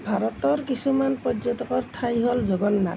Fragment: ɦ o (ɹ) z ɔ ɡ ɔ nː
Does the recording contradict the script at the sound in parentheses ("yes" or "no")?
yes